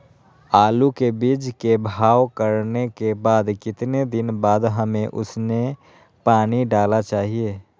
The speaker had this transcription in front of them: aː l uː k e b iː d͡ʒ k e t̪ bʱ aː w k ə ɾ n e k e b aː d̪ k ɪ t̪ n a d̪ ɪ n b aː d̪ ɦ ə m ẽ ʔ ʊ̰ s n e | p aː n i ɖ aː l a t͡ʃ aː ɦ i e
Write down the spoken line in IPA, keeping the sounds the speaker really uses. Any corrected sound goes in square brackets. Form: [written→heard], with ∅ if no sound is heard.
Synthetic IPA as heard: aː l [uː→u] k e b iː d͡ʒ k e [t̪→∅] bʱ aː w k ə ɾ n e k e b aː d̪ k ɪ t̪ n [a→e] d̪ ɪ n b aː d̪ ɦ ə m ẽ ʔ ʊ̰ s n e | p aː n i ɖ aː l a t͡ʃ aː ɦ i e